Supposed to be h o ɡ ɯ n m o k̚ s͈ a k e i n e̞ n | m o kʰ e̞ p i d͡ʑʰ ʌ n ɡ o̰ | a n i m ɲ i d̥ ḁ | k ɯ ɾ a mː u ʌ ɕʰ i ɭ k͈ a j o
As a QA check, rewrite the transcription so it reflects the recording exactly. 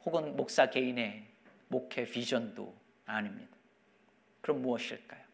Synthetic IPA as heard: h o ɡ ɯ n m o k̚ s͈ a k e i n e̞ | m o kʰ e̞ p i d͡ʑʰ ʌ n d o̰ | a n i m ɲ i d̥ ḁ | k ɯ ɾ ʌ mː u ʌ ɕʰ i ɭ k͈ a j o